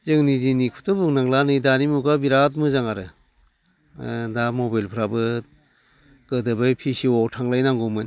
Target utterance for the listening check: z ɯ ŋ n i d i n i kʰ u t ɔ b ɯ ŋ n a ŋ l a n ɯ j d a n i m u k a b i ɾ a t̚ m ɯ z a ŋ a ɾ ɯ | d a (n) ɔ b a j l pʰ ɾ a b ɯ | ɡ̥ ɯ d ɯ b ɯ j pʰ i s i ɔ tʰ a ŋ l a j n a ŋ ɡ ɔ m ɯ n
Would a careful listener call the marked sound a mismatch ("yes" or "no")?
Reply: yes